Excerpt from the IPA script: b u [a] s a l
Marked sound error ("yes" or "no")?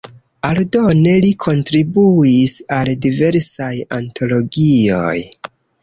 yes